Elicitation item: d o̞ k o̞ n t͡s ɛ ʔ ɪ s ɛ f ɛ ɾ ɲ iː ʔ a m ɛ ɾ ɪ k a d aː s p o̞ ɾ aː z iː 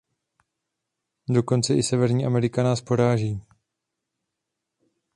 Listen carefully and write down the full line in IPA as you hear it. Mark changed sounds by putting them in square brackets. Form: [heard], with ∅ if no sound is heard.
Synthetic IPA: d o̞ k o̞ n t͡s ɛ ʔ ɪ s ɛ [v] ɛ ɾ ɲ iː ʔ a m ɛ ɾ ɪ k a [n] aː s p o̞ ɾ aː [ʒ] iː